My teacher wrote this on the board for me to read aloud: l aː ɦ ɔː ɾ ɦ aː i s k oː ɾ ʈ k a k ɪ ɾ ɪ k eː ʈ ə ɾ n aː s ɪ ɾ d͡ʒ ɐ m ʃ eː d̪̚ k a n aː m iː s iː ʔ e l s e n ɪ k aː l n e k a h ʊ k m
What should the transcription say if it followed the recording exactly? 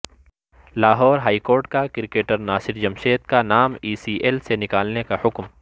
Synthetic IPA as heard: l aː ɦ ɔː ɾ ɦ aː i k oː ɾ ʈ k a k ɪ ɾ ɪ k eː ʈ ə ɾ n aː s ɪ ɾ d͡ʒ ɐ m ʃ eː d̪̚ k a n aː m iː s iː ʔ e l s e n ɪ k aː l n e k a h ʊ k m